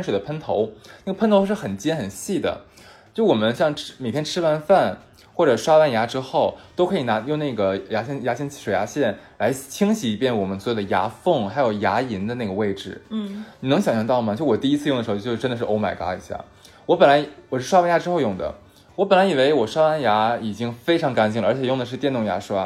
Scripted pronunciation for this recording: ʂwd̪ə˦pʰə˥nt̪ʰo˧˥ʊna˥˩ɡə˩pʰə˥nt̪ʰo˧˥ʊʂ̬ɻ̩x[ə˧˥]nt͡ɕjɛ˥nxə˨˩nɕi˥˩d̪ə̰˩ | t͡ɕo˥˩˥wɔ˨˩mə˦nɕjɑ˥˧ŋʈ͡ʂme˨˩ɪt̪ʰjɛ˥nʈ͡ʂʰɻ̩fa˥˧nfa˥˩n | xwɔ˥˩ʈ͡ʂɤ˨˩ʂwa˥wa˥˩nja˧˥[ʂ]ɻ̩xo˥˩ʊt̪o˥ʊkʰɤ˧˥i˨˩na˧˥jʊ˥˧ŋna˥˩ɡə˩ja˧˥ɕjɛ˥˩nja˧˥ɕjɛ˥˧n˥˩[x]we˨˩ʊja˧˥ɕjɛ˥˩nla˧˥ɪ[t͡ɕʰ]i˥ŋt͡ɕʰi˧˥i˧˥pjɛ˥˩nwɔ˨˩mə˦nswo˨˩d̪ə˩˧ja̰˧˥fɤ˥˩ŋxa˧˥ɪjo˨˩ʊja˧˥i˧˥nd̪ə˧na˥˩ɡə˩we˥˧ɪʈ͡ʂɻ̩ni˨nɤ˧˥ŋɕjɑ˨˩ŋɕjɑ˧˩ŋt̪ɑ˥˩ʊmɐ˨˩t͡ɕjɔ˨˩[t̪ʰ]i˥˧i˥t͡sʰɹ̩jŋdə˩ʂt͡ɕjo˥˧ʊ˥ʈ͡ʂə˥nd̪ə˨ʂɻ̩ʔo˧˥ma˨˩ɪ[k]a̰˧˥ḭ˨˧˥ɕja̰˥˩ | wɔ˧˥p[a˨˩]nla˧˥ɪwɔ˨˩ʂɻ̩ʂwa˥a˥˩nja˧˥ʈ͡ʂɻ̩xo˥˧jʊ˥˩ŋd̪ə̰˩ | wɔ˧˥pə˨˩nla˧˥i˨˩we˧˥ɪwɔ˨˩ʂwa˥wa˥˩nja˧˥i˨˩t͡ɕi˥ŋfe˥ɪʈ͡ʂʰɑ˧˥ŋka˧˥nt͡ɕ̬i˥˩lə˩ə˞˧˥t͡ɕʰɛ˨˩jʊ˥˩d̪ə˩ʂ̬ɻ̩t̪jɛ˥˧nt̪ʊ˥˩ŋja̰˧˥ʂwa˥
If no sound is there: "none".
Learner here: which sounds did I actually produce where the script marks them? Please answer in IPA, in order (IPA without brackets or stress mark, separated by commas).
ə˨˩, ʈ͡ʂ, ʂ, t͡ɕʰ, t̪, k, ə˨˩